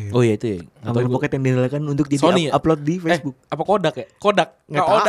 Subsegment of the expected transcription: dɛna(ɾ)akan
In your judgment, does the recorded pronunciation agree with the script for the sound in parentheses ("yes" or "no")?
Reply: no